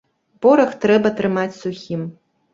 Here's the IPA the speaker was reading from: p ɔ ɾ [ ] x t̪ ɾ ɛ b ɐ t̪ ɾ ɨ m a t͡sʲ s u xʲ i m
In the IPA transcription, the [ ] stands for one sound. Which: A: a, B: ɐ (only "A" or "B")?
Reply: B